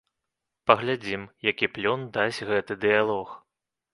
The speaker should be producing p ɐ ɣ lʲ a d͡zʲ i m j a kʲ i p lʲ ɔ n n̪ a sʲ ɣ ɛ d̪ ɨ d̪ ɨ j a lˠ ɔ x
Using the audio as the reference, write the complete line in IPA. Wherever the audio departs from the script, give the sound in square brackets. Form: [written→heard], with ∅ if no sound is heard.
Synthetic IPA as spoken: p ɐ ɣ lʲ a d͡zʲ i m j a kʲ i p lʲ ɔ n [n̪→d̪] a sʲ ɣ ɛ [d̪→t̪] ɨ d̪ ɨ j a lˠ ɔ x